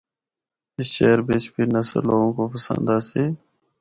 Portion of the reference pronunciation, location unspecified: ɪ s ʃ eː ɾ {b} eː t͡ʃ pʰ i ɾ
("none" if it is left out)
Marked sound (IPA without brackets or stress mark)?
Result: b